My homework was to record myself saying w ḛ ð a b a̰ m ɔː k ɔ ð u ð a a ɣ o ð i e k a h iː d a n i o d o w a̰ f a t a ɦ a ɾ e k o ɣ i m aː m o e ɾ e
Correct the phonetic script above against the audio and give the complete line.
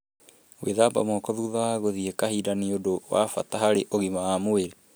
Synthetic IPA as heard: w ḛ ð a b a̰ m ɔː k ɔ ð u ð a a ɣ o ð i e k a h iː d a n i o d o w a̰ f a t a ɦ a ɾ e ʔ o ɣ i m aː m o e ɾ e